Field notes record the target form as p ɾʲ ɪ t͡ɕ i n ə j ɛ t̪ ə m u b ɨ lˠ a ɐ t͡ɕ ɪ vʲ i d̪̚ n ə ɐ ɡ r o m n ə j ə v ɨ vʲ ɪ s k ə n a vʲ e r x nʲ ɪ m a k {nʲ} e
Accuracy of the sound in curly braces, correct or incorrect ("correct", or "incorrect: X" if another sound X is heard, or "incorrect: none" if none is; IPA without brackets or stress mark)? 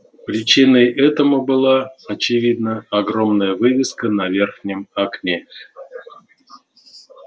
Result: correct